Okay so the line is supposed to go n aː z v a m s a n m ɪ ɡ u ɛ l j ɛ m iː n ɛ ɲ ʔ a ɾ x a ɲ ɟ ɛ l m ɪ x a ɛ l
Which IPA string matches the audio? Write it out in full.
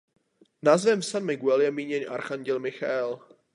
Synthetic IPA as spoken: n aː z v ɛ m s a n m ɪ ɡ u ɛ l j ɛ m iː ɲ ɛ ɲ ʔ a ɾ x a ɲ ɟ ɛ l m ɪ x a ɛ l